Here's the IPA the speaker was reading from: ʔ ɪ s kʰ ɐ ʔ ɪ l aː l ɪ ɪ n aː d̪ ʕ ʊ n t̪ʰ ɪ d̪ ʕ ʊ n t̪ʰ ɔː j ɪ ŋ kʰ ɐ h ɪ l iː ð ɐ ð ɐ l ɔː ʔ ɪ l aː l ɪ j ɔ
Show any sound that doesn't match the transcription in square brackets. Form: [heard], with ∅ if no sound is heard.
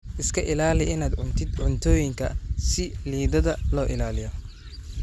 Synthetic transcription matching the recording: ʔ ɪ s kʰ ɐ ʔ ɪ l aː l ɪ ɪ n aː d̪ ʕ ʊ n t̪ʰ ɪ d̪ ʕ ʊ n t̪ʰ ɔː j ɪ ŋ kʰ ɐ [s] ɪ l iː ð ɐ ð ɐ l ɔː ʔ ɪ l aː l ɪ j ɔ